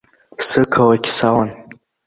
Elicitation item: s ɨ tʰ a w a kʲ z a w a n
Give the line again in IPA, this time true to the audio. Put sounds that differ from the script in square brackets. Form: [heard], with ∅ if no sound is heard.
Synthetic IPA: s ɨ [kʰ] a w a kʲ [s] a w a n

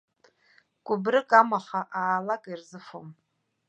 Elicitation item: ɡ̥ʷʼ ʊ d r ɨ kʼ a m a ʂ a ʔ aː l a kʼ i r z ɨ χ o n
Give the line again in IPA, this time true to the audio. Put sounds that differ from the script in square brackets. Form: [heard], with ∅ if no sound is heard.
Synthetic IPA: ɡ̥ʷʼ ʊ [b] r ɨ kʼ a m a [χ] a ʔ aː l a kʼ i r z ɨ [f] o [m]

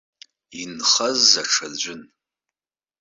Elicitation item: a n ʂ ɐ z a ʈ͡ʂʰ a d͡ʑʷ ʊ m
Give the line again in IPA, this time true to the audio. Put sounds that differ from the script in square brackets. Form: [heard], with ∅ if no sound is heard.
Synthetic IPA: [i] n [χ] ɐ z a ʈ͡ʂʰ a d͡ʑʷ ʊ [n]

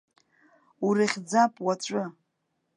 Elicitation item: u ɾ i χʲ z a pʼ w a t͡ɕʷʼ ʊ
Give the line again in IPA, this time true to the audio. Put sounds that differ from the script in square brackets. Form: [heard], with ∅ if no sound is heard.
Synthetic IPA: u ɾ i χʲ [d͡z] a pʼ w a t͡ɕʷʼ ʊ

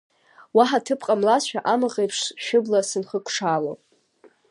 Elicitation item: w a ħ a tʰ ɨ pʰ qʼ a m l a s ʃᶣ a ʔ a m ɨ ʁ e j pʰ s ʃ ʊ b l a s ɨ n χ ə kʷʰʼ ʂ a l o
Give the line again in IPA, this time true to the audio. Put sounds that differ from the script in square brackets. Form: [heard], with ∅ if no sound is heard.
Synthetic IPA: w a ħ a tʰ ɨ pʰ qʼ a m l a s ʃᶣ a ʔ a m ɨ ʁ e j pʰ [ʂ] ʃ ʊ b l a s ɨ n χ ə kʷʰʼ ʂ a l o

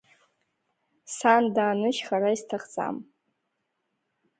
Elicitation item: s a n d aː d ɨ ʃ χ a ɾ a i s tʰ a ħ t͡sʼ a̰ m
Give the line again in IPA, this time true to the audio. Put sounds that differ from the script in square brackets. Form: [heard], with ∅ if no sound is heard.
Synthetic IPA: s a n d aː [n] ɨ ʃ χ a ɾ a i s tʰ a [χ] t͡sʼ a̰ m

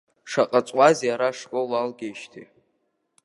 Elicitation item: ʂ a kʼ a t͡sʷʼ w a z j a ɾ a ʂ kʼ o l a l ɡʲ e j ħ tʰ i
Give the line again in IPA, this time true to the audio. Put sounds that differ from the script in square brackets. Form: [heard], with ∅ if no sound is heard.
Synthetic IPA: ʂ a [qʼ] a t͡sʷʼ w a z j a ɾ a ʂ kʼ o l a l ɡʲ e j [ʃ] tʰ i

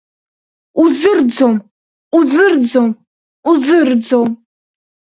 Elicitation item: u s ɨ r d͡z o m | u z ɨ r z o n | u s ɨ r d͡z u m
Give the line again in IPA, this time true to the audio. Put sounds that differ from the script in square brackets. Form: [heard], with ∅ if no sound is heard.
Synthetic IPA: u [z] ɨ r d͡z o m | u z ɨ r [d͡z] o [m] | u [z] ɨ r d͡z [o] m

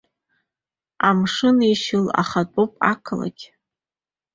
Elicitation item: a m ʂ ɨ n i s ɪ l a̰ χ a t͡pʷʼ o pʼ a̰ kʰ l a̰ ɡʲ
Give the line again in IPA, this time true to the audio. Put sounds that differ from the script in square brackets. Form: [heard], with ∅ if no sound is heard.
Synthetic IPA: a m ʂ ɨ n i [ʃ] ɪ l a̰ χ a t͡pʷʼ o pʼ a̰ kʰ l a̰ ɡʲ

